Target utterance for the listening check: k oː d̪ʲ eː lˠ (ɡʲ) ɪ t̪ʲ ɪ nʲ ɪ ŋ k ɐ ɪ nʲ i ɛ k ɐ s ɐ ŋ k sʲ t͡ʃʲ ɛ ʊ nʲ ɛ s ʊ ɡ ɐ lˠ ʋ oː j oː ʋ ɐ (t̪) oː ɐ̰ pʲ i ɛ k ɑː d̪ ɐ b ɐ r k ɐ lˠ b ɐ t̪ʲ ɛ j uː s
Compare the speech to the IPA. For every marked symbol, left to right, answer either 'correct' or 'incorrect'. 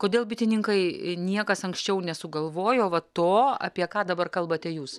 incorrect: bʲ, correct

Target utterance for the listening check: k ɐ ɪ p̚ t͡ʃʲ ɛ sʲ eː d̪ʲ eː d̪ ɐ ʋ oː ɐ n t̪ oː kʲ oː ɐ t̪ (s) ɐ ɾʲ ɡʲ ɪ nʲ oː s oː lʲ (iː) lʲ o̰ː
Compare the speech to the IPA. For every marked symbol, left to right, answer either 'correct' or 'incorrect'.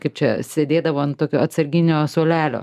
correct, incorrect: æː

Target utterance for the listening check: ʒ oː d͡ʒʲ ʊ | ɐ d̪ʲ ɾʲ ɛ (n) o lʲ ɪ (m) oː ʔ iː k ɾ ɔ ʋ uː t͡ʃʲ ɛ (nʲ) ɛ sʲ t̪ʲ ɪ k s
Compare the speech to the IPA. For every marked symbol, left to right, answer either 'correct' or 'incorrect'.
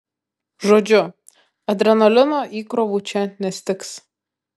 correct, incorrect: n, correct

